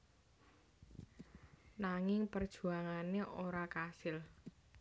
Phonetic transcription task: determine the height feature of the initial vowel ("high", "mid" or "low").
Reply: low